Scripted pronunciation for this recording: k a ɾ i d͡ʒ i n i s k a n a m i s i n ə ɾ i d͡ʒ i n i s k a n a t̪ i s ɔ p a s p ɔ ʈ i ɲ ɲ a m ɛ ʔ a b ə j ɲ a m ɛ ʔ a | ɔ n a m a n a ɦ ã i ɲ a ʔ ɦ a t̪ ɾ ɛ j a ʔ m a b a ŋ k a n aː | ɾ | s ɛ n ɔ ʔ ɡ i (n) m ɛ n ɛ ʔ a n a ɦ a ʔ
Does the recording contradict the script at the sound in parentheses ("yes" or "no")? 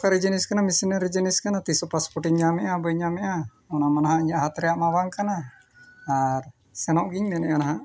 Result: yes